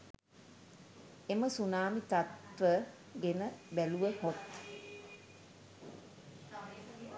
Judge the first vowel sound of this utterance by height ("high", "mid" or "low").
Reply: mid